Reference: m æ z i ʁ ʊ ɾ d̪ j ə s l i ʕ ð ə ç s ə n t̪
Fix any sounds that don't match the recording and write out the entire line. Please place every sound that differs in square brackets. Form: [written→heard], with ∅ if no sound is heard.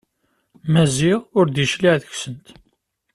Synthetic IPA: m æ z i ʁ ʊ ɾ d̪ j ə [s→ʃ] l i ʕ ð ə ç s ə n t̪